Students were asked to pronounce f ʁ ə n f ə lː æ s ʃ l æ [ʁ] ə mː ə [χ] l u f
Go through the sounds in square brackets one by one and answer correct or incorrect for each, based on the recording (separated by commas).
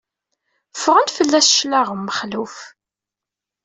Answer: correct, correct